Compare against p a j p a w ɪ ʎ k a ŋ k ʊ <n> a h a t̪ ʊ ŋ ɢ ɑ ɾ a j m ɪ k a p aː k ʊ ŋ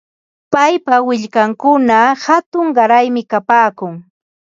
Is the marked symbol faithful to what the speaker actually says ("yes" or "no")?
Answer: yes